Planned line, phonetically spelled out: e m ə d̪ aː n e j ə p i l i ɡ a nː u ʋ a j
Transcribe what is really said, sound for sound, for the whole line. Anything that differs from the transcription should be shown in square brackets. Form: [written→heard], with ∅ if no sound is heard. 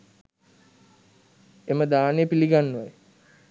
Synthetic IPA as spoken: e m ə d̪ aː n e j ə p i l i ɡ a nː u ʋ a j